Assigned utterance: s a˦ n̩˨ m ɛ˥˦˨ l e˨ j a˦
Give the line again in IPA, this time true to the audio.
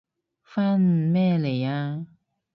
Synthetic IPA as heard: f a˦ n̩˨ m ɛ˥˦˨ l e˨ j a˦